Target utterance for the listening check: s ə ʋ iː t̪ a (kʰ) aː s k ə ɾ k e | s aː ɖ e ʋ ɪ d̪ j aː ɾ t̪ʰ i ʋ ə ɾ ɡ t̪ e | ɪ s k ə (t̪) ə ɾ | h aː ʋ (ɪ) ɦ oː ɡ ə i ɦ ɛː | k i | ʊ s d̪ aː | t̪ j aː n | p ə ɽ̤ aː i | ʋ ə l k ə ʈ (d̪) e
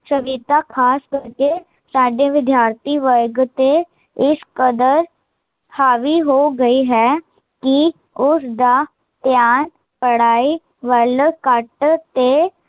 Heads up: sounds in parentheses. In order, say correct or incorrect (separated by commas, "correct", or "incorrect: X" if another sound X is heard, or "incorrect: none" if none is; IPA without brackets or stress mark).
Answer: correct, incorrect: d̪, incorrect: i, incorrect: t̪